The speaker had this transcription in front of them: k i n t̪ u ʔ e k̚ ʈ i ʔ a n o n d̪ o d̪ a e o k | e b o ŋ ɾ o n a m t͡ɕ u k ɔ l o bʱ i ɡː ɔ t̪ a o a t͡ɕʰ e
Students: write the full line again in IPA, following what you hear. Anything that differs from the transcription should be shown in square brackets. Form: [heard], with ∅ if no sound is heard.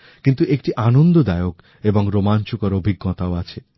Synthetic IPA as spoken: k i n t̪ u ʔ e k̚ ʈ i ʔ a n o n d̪ o d̪ a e o k | e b o ŋ ɾ o [m] a [n] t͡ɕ u k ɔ [ɾ] o bʱ i ɡː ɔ t̪ a o a t͡ɕʰ e